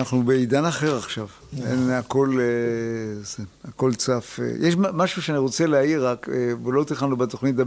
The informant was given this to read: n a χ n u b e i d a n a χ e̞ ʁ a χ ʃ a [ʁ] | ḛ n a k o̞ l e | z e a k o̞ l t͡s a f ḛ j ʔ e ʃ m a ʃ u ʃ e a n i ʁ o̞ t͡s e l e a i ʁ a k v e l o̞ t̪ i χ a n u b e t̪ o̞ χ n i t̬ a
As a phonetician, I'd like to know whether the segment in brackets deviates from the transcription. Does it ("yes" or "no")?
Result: yes